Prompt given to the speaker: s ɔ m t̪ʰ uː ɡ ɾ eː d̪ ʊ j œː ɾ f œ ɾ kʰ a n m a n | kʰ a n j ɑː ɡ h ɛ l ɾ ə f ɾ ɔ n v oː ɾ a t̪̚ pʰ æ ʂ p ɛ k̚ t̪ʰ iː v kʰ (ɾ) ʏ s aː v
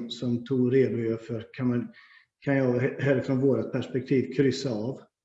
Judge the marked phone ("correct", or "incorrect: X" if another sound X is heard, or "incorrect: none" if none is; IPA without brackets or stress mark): correct